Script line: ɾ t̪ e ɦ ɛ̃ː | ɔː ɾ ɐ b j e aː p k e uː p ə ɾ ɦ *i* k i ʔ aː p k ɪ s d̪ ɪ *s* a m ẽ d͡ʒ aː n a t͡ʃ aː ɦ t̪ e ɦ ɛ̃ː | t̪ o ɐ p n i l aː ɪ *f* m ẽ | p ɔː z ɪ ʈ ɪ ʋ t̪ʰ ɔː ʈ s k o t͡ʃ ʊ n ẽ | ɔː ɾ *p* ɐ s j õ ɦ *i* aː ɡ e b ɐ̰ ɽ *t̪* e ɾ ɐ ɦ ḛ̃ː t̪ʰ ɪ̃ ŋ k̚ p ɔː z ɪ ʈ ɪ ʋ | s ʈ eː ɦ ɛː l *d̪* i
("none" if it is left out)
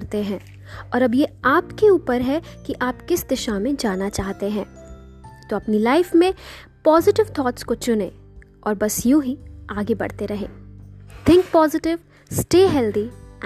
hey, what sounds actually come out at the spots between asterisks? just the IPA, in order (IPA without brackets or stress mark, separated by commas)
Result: ɛ, ʃ, f, b, i, t̪, d̪